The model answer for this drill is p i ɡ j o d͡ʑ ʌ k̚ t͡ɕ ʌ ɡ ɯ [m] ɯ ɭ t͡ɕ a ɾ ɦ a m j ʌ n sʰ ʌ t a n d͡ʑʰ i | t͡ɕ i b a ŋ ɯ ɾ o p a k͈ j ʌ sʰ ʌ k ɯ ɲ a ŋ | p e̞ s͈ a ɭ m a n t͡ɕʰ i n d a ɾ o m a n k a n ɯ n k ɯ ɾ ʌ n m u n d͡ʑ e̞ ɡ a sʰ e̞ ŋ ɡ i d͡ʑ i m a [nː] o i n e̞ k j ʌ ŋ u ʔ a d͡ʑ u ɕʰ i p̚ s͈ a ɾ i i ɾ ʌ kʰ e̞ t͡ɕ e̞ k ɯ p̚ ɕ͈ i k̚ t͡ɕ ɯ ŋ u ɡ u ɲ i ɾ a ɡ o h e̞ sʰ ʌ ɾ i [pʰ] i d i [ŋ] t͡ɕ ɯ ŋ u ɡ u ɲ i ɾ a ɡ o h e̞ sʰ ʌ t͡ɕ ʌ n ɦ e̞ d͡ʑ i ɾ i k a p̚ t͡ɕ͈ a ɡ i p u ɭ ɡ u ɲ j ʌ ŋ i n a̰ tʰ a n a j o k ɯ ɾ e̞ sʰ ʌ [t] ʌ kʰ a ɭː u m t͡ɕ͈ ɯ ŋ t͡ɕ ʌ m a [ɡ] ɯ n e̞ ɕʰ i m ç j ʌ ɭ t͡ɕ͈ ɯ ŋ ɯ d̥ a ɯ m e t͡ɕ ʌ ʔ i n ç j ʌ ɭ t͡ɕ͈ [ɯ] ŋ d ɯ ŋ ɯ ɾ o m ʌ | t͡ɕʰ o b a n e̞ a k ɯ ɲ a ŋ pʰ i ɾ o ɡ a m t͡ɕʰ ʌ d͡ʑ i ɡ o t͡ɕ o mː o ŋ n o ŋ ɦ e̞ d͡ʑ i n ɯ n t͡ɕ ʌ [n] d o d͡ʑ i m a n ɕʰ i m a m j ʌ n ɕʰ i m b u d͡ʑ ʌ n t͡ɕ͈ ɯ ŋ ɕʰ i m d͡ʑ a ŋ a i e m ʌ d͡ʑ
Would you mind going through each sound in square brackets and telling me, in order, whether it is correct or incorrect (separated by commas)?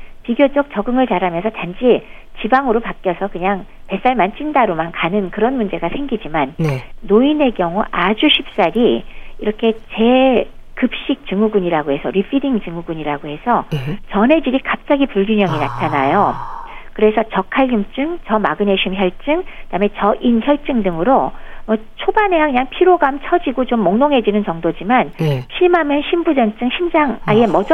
incorrect, correct, correct, correct, incorrect, correct, correct, incorrect